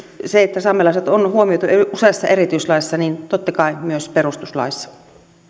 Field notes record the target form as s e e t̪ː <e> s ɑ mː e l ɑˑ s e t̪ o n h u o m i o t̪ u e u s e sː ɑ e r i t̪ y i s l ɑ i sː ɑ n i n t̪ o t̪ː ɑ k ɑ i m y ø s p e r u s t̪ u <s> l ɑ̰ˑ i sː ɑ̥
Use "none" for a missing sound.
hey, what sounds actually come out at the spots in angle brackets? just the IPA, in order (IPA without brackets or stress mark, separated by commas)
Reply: æ, s